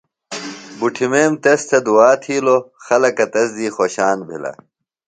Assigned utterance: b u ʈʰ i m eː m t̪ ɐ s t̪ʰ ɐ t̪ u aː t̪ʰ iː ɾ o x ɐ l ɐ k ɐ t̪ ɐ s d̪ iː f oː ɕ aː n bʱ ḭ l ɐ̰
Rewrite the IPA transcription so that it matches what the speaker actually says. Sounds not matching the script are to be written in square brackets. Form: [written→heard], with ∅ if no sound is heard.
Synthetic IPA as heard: b u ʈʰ i m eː m t̪ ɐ s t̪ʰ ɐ [t̪→d̪] u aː t̪ʰ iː [ɾ→l] o x ɐ l ɐ k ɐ t̪ ɐ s d̪ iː [f→x] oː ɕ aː n bʱ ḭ l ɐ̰